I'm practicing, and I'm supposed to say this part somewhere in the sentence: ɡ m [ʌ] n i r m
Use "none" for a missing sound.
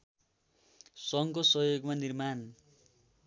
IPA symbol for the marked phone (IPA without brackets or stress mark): a